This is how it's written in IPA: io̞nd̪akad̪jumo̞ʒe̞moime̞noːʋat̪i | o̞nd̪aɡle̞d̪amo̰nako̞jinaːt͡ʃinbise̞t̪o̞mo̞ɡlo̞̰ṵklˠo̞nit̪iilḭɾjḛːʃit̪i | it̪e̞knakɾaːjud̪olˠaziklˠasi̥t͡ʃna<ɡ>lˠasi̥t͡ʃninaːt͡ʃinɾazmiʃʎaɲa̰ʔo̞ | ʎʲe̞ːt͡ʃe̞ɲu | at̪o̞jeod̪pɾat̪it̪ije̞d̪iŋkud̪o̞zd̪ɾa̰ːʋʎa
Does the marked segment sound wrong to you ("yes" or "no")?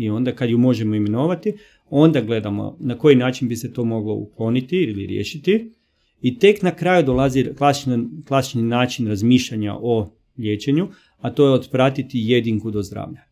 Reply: yes